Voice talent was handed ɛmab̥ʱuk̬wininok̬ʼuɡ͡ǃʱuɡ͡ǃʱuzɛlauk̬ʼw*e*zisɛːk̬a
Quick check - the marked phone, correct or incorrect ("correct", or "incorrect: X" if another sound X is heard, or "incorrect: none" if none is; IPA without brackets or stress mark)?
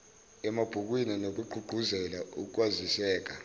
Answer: incorrect: a